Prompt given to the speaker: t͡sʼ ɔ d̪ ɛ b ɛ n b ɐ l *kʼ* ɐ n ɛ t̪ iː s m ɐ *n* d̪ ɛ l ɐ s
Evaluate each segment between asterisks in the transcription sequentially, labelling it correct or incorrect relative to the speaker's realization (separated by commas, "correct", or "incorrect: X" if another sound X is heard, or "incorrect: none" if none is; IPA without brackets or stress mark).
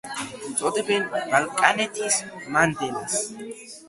correct, correct